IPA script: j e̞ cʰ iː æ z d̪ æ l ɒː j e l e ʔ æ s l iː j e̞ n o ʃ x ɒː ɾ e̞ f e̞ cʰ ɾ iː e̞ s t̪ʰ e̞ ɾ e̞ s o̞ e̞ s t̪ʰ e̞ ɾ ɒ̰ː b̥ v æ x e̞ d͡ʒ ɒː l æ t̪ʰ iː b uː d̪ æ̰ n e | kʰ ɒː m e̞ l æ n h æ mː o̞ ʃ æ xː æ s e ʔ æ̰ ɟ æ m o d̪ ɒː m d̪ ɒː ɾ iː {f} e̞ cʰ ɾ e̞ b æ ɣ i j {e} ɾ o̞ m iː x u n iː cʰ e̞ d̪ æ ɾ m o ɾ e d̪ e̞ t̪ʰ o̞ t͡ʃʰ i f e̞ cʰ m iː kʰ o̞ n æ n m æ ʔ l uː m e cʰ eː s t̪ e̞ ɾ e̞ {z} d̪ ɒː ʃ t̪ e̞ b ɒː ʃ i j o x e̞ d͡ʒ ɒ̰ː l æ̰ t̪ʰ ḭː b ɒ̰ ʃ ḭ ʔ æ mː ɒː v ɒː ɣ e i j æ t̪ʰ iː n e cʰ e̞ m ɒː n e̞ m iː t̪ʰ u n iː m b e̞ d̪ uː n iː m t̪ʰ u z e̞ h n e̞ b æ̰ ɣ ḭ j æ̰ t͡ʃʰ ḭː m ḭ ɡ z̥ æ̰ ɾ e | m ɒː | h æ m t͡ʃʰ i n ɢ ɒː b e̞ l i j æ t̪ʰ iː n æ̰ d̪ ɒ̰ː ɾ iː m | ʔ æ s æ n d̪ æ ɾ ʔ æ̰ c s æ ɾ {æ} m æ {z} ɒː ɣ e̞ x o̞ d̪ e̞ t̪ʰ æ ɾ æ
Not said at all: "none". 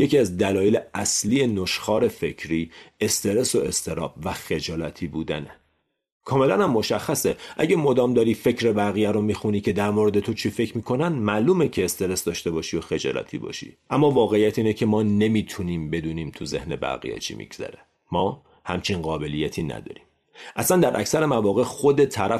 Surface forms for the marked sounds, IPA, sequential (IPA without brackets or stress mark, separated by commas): f, æ, s, e, v